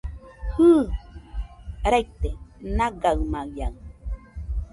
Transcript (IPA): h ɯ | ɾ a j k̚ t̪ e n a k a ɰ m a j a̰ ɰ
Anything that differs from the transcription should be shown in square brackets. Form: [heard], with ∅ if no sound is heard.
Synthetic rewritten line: h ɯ | ɾ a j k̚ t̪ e n a [ɡ] a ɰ m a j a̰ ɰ